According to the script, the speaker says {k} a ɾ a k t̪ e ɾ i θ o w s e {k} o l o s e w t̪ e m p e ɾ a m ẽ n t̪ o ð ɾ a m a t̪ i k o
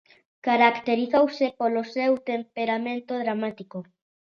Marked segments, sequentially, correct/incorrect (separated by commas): correct, incorrect